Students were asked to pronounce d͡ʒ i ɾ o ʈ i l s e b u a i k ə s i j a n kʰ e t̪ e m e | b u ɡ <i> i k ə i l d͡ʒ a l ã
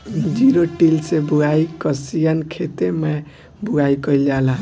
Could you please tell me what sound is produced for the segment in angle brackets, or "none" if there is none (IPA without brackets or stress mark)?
a